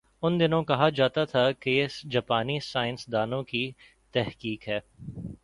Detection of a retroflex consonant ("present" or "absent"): absent